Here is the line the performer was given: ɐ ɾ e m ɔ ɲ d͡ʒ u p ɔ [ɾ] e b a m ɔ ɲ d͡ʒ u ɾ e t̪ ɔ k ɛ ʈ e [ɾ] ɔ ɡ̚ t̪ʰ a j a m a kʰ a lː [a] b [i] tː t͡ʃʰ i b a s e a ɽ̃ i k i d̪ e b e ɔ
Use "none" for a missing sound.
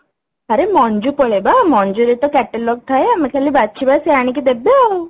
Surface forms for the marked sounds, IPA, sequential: ɭ, l, i, a

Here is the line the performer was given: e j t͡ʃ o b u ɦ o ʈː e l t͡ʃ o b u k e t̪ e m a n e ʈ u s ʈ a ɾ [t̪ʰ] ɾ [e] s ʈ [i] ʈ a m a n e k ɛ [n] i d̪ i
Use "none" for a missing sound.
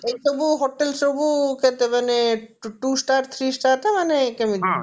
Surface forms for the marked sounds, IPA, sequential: t̪ʰ, i, a, m

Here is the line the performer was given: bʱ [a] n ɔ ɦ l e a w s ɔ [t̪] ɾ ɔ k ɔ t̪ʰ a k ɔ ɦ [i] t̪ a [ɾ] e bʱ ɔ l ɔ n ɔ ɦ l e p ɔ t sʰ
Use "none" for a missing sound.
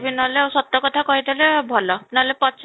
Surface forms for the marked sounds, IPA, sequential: i, t̪, i, l

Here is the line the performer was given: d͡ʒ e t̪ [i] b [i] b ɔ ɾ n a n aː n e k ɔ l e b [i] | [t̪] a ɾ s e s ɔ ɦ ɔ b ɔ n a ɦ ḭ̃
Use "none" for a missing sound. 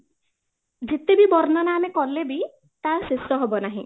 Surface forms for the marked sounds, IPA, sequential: e, i, i, t̪

